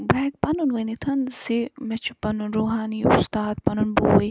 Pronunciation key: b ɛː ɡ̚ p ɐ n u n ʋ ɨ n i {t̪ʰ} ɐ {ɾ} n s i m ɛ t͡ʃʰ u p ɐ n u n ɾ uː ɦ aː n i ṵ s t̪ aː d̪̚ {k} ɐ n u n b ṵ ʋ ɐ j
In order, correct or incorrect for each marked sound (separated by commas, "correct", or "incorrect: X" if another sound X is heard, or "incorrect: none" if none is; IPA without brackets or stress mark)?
correct, incorrect: none, incorrect: p